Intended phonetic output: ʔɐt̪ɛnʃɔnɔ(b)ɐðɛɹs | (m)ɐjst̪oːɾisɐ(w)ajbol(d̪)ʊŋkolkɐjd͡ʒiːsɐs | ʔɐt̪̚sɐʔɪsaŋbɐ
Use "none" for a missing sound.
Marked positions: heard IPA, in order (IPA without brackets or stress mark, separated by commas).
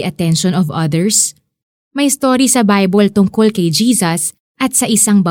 v, m, b, t̪